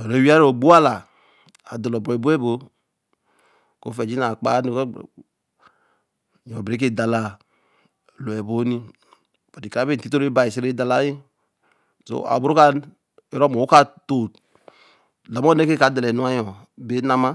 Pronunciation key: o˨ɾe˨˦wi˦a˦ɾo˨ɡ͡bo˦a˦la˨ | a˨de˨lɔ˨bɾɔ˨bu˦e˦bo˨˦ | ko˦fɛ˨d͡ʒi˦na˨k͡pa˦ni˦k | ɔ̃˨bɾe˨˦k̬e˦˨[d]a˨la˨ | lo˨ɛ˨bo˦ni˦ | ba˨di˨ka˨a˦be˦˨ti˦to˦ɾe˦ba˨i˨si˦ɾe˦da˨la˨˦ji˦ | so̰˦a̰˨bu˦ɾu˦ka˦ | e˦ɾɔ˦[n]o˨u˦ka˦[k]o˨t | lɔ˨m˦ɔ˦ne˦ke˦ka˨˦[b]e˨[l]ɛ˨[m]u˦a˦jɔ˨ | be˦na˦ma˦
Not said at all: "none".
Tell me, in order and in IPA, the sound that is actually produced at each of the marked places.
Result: d, m, t, d, l, n

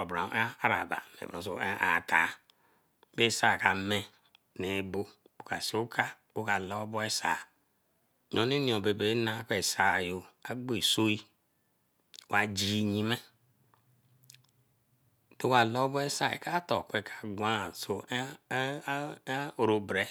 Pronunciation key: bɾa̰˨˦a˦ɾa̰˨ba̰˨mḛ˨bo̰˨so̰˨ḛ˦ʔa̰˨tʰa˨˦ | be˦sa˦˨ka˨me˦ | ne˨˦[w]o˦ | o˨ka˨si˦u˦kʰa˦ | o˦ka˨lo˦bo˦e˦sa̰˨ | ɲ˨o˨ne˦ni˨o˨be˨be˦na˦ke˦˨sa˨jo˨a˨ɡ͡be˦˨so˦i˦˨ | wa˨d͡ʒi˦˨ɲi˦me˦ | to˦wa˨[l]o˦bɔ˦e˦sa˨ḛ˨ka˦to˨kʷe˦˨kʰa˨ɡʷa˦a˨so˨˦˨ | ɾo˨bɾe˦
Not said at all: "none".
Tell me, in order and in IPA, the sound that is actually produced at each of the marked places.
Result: b, l

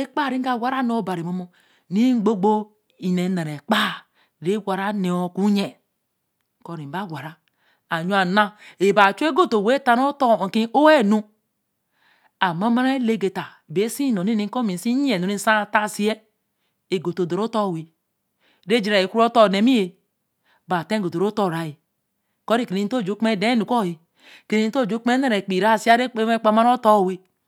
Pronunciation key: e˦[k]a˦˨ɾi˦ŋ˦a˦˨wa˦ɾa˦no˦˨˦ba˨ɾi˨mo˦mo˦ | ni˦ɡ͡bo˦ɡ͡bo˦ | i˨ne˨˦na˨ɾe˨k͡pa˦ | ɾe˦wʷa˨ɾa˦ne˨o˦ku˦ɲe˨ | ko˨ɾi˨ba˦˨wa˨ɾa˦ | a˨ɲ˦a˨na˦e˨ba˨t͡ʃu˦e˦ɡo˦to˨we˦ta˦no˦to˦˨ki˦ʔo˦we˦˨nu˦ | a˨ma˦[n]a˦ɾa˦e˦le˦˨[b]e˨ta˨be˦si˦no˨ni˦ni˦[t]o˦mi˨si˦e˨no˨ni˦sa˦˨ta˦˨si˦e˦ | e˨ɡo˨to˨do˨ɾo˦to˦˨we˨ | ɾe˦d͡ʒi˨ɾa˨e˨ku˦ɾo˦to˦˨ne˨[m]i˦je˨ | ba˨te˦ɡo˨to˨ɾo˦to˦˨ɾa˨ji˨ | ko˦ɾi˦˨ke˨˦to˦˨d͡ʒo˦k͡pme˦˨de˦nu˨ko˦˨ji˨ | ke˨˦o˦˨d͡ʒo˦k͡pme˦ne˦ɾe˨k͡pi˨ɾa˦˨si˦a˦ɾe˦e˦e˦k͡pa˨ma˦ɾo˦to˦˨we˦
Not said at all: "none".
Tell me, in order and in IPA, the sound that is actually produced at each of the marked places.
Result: k͡p, m, ɡ, k, m

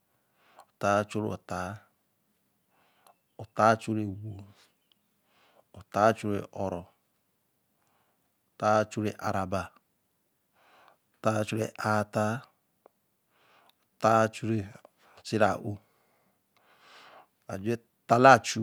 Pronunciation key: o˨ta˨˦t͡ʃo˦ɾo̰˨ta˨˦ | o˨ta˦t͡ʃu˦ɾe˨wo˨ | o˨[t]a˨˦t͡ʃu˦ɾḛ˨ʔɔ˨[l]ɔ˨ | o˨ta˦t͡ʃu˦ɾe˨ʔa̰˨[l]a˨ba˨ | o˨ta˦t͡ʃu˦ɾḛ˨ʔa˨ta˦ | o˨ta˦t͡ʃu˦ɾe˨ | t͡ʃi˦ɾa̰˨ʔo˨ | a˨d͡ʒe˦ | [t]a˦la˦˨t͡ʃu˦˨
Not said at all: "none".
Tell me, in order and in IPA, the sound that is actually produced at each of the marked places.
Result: t, ɾ, ɾ, t

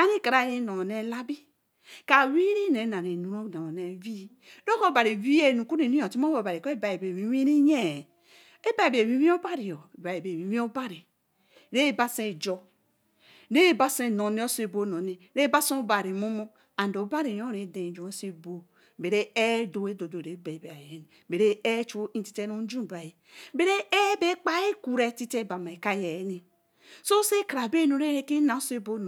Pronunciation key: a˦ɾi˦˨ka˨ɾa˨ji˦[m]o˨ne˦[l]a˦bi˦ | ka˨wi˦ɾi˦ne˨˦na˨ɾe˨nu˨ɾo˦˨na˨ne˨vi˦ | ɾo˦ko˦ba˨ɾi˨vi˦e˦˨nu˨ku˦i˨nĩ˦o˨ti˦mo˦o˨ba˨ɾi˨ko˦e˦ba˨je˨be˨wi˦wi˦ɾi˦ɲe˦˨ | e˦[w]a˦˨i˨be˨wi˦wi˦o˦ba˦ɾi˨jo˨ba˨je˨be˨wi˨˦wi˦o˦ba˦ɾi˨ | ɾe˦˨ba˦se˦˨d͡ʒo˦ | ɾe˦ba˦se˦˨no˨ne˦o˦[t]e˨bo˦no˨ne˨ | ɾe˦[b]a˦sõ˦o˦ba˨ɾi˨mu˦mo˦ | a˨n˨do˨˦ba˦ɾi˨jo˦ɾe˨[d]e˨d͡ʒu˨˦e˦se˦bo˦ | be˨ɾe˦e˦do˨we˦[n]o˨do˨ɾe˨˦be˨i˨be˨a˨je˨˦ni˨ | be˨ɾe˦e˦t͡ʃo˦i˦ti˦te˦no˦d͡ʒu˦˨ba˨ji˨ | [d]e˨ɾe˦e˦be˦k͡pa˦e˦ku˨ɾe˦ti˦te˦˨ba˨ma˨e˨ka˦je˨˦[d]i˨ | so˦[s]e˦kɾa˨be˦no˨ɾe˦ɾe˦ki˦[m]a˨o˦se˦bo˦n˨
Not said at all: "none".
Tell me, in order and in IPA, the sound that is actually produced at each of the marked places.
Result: n, l, b, s, b, d, d, b, n, s, n

